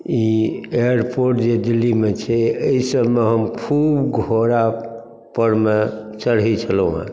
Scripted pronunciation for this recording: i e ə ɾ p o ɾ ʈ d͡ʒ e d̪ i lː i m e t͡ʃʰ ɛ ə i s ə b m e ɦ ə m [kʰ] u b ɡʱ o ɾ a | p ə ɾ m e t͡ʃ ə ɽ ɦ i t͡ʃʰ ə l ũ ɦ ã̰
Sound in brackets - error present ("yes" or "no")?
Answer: no